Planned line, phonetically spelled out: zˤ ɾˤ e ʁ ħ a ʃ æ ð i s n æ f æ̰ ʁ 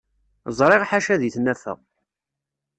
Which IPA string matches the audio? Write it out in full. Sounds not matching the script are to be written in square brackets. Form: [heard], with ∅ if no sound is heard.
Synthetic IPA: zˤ ɾˤ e ʁ ħ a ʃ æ ð i [θ] n æ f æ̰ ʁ